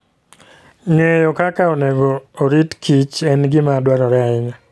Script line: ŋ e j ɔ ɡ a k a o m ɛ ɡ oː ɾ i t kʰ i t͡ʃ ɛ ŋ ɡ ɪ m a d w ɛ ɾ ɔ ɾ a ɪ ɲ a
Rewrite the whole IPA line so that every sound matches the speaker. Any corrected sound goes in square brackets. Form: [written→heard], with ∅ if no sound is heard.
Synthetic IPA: ŋ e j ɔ [ɡ→k] a k a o [m→n] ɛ ɡ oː ɾ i t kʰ i t͡ʃ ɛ [ŋ→n] ɡ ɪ m a d w [ɛ→a] ɾ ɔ ɾ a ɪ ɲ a